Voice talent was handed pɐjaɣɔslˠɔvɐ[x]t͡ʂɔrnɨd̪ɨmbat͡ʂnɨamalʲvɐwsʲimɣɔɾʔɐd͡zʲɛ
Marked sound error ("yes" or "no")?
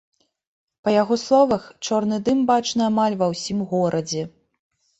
no